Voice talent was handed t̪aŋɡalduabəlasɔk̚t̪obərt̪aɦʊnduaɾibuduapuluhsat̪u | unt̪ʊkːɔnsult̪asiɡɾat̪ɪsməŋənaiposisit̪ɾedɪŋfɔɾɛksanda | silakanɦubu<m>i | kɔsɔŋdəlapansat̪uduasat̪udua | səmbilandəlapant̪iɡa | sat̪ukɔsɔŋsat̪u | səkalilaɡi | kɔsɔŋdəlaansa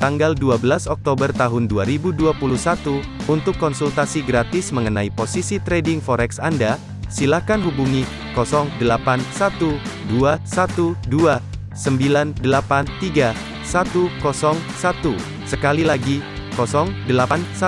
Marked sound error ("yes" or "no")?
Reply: yes